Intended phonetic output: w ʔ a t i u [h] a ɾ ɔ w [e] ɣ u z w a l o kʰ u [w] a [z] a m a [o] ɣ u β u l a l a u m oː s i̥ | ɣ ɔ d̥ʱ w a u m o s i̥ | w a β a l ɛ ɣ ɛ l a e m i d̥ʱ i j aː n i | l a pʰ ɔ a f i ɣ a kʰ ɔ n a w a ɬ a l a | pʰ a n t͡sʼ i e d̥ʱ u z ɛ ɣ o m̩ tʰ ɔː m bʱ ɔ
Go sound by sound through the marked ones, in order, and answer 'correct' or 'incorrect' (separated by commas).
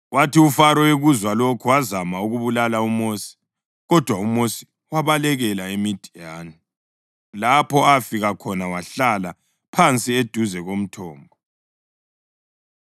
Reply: incorrect, correct, correct, correct, incorrect